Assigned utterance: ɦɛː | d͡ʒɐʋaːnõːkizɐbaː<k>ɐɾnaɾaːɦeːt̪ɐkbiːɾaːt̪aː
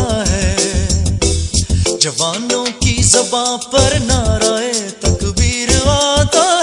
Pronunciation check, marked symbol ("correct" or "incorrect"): incorrect